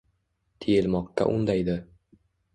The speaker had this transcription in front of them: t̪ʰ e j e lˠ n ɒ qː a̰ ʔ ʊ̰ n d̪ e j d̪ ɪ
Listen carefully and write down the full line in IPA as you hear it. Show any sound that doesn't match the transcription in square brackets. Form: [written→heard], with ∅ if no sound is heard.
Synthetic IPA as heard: t̪ʰ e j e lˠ [n→m] ɒ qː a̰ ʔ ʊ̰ n d̪ [e→a] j d̪ ɪ